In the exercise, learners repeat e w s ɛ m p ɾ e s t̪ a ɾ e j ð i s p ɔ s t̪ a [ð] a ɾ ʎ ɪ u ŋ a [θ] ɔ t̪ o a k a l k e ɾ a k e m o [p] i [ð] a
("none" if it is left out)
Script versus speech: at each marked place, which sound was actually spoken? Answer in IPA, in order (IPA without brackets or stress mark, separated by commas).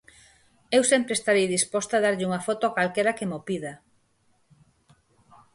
ð, f, p, ð